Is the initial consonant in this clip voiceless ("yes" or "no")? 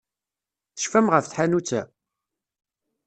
yes